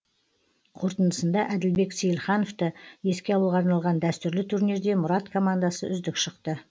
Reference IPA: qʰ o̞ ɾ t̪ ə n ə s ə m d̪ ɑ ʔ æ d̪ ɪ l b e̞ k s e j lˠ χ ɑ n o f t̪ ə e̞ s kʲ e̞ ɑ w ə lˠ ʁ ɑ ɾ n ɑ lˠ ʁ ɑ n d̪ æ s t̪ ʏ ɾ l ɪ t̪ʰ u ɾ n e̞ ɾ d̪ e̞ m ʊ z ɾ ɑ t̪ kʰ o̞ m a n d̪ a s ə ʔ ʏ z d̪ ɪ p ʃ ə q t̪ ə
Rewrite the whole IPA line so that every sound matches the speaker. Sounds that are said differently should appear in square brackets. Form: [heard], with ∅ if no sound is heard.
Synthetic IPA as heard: qʰ o̞ ɾ t̪ ə n ə s ə [n] d̪ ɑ ʔ æ d̪ ɪ l b e̞ k s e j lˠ χ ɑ n o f t̪ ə e̞ s kʲ e̞ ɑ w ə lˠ ʁ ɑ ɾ n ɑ lˠ ʁ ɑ n d̪ æ s t̪ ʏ ɾ l ɪ t̪ʰ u ɾ n e̞ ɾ d̪ e̞ m ʊ [∅] ɾ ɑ t̪ kʰ o̞ m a n d̪ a s ə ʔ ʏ z d̪ ɪ [k] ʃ ə q t̪ ə

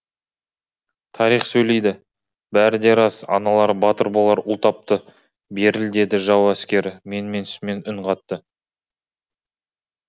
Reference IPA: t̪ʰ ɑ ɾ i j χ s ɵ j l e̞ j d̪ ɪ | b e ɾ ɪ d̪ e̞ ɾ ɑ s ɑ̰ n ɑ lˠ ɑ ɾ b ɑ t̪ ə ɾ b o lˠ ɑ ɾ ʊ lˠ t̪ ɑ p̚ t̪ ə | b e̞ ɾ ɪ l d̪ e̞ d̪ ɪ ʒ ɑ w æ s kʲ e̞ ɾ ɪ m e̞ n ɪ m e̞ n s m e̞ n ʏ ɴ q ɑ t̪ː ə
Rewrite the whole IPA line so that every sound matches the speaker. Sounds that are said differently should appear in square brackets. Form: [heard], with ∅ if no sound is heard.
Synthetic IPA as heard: t̪ʰ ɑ ɾ i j χ s ɵ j l e̞ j d̪ ɪ | b [æ] ɾ ɪ d̪ e̞ ɾ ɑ s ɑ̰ n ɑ lˠ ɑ ɾ b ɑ t̪ ə ɾ b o lˠ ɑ ɾ ʊ lˠ t̪ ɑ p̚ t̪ ə | b e̞ ɾ ɪ l d̪ e̞ d̪ ɪ ʒ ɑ w æ s kʲ e̞ ɾ ɪ m e̞ n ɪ m e̞ n s m e̞ n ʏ ɴ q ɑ t̪ː ə

